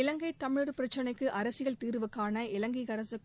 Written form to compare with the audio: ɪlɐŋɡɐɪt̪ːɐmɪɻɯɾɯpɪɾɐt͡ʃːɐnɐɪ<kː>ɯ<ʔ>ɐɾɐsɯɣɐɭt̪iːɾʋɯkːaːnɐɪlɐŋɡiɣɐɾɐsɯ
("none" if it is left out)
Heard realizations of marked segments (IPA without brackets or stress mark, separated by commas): kː, ʔ